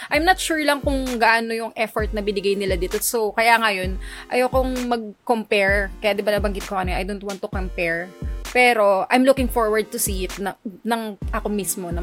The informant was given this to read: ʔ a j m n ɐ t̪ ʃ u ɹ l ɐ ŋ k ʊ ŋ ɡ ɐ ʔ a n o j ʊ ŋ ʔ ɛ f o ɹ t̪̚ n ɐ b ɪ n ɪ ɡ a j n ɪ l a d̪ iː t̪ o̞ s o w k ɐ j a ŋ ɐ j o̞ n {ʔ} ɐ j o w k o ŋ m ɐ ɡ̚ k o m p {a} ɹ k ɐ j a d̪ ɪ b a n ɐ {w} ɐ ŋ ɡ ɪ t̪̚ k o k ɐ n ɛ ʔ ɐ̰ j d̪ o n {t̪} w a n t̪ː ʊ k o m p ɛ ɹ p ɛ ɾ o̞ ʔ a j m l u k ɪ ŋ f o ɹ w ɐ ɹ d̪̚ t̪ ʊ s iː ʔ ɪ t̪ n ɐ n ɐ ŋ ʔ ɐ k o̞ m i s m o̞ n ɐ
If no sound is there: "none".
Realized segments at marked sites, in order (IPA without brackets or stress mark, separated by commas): ʔ, ɛ, b, t̪